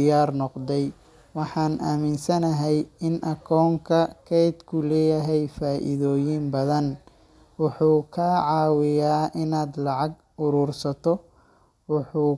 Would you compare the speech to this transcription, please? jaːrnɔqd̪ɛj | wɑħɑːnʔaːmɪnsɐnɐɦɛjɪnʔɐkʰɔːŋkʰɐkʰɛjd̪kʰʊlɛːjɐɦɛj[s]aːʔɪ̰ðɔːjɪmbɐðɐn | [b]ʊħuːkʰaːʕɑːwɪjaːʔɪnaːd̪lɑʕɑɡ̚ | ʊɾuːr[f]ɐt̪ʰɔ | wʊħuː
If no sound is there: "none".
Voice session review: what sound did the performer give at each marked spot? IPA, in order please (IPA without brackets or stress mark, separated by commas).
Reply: f, w, s